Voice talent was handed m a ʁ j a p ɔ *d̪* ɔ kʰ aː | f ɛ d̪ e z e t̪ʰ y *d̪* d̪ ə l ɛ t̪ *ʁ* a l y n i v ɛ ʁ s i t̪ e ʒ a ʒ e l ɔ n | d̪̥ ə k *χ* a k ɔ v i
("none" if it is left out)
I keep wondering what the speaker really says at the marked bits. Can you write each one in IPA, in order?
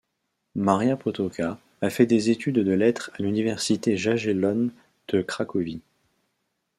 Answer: t̪, d̪, χ, χ

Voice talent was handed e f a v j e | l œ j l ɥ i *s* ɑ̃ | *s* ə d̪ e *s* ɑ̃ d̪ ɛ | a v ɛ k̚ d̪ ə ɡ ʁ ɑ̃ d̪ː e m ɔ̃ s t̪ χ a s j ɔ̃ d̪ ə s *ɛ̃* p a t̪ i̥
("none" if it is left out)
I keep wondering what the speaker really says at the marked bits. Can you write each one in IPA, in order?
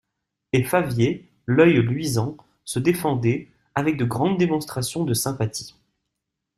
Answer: z, s, f, ɛ̃

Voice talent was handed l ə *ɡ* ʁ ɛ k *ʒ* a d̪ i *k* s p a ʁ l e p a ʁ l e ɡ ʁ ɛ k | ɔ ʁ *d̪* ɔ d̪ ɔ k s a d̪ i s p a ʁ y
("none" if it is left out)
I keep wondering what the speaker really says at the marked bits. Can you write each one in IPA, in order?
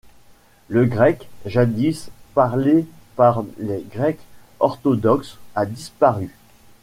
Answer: ɡ, ʒ, none, t̪

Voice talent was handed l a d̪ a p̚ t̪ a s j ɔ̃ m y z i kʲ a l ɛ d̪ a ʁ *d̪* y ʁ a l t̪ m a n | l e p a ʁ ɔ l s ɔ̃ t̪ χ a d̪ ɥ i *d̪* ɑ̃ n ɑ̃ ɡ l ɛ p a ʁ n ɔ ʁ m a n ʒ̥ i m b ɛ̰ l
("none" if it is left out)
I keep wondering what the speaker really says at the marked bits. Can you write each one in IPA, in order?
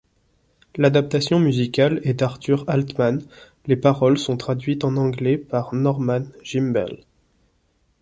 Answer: t̪, t̪

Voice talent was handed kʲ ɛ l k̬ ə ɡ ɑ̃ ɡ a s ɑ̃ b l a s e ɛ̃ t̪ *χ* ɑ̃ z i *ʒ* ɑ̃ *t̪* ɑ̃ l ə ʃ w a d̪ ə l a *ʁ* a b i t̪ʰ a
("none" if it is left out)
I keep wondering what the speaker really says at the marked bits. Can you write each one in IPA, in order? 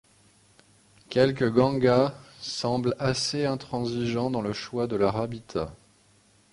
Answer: χ, ʒ, d̪, ʁ

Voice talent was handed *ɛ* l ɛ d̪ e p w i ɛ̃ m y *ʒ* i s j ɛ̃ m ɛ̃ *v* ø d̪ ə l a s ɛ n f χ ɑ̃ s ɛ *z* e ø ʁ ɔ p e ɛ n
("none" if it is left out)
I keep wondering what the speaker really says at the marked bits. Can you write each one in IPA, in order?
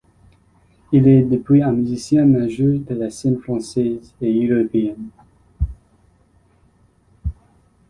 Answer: i, z, ʒ, z

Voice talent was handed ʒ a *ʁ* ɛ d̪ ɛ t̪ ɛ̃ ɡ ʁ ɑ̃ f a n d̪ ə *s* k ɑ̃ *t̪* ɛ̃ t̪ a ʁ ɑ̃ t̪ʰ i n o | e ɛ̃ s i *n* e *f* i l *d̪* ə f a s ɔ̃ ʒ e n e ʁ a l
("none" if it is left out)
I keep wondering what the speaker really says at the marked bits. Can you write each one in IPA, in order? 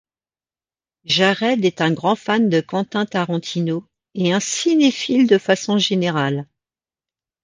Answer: ʁ, none, t̪, n, f, d̪

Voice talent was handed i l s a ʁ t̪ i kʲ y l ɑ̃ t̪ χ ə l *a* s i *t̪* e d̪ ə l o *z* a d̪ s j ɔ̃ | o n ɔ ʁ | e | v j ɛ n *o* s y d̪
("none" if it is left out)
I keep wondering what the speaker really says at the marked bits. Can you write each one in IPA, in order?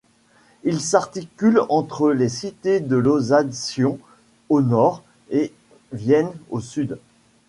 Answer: e, t̪, z, o

